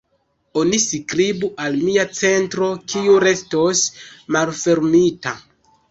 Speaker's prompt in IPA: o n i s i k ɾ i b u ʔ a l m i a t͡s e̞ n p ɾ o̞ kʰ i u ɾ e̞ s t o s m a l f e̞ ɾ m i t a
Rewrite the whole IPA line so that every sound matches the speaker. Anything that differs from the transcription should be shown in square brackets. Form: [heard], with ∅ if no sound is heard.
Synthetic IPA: o n i s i k ɾ i b u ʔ a l m i a t͡s e̞ n [t] ɾ o̞ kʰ i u ɾ e̞ s t o s m a l f e̞ ɾ m i t a